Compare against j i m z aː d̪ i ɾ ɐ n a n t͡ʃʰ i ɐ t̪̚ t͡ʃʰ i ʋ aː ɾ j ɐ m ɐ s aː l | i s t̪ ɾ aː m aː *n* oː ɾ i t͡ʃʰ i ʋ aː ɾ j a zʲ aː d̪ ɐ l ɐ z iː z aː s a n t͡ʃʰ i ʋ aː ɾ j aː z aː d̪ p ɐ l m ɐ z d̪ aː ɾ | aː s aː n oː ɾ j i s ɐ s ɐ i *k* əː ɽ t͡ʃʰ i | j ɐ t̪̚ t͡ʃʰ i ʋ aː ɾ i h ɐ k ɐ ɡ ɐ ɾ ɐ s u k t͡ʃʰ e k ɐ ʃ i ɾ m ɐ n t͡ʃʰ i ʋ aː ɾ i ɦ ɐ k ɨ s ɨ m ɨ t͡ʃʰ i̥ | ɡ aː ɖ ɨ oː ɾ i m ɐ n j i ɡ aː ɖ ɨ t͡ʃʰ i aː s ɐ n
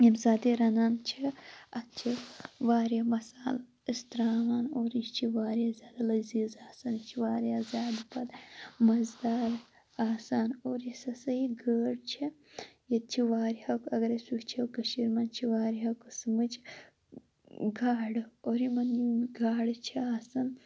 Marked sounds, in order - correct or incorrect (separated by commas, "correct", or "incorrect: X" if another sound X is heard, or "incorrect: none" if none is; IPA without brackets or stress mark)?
correct, incorrect: ɡ